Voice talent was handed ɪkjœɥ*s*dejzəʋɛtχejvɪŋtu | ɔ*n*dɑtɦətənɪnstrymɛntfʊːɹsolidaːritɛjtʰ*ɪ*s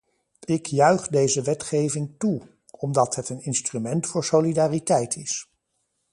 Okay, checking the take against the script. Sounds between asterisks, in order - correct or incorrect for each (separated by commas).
incorrect, incorrect, correct